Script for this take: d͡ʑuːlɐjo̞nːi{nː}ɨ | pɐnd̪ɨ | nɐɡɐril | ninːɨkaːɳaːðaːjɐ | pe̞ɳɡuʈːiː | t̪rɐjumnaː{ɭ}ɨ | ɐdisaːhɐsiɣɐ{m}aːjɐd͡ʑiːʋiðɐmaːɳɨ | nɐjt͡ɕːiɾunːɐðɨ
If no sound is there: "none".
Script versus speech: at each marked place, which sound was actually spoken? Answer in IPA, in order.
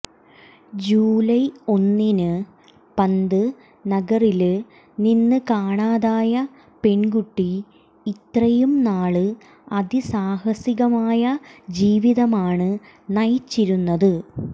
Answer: n, ɭ, m

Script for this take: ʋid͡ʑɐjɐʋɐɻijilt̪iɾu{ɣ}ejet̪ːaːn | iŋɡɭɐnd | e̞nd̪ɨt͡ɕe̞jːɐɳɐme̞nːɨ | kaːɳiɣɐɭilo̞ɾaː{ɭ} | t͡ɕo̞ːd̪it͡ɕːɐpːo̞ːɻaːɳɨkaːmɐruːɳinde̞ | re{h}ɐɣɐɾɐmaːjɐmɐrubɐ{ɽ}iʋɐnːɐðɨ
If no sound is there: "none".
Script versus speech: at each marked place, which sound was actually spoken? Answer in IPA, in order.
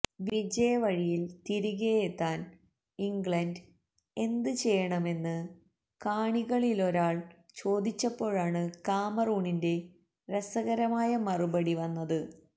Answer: ɣ, ɭ, s, ɽ

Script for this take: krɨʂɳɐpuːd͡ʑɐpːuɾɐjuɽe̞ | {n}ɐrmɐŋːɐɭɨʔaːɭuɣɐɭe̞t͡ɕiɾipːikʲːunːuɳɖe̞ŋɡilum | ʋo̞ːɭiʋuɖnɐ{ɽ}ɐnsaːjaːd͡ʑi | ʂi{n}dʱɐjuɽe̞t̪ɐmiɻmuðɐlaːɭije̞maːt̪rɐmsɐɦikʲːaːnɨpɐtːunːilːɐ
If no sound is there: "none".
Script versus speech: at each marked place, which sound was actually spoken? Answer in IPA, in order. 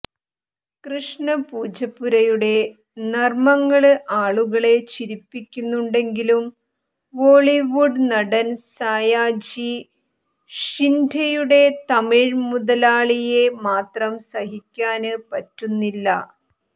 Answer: n, ɽ, n

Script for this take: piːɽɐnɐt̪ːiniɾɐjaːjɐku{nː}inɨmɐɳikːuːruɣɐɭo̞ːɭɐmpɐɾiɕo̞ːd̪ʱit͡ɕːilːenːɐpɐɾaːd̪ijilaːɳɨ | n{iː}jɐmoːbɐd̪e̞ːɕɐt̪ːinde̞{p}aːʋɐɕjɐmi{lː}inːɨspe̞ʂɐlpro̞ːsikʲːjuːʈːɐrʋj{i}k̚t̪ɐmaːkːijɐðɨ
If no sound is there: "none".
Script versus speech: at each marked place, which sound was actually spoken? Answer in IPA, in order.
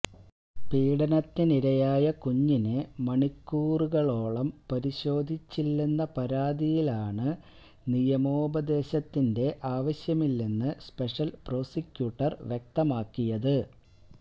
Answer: ɲː, i, ʔ, lː, e

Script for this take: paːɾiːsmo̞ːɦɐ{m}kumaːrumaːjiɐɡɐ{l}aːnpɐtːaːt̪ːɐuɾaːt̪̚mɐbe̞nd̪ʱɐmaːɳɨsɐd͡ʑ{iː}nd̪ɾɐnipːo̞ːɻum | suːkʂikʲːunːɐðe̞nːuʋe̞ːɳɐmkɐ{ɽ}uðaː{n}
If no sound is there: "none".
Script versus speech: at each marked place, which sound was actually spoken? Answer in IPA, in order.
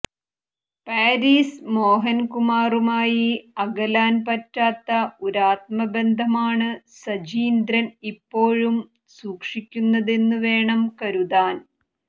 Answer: n, l, iː, ɾ, n

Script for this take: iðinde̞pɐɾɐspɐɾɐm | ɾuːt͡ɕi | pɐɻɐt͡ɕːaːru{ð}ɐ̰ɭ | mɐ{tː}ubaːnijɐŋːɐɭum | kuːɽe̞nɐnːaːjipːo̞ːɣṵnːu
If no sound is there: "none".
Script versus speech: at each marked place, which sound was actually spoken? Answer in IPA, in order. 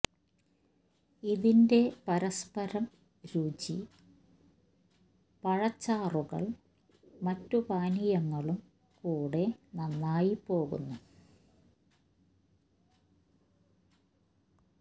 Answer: ɣ, tː

